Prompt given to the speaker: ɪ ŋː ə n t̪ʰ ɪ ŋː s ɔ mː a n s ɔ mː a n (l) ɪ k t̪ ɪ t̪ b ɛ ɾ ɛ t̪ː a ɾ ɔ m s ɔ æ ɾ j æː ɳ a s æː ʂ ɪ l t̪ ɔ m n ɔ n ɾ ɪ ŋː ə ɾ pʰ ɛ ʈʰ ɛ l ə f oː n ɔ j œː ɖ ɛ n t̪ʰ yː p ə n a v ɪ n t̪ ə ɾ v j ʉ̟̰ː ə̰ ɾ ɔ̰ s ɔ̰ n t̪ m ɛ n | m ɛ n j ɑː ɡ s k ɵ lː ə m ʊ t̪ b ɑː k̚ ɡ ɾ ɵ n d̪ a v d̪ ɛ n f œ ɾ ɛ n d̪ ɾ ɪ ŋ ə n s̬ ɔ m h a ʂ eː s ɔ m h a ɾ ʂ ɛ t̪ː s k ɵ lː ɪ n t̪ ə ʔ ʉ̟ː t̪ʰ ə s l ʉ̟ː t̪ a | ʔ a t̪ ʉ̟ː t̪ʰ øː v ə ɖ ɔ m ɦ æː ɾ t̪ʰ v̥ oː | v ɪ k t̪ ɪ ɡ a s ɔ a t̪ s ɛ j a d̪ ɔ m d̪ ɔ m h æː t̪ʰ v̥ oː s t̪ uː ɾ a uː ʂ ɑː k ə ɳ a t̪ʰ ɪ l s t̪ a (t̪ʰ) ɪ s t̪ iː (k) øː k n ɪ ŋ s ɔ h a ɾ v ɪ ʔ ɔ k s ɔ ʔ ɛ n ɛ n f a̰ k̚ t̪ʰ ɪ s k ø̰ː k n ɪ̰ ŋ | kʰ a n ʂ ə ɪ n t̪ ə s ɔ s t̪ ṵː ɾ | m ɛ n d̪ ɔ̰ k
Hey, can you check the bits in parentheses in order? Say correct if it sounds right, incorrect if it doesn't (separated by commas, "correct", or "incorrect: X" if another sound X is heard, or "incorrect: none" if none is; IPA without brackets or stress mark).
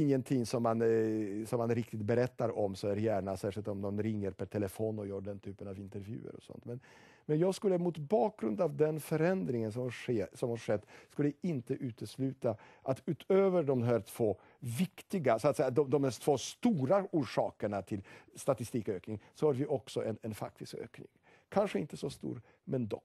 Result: incorrect: ɾ, incorrect: t̪, correct